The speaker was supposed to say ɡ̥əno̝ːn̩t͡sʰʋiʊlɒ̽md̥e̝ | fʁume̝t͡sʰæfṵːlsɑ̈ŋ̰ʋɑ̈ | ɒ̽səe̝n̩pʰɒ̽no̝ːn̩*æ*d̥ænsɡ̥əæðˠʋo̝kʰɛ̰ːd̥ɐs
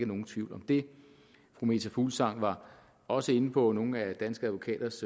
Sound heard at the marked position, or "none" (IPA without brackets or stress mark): æ